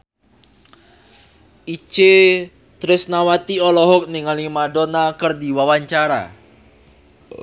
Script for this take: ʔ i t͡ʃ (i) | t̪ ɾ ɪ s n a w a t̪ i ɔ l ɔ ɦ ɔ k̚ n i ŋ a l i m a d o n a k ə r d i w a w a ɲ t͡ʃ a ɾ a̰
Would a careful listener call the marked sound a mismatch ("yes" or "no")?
yes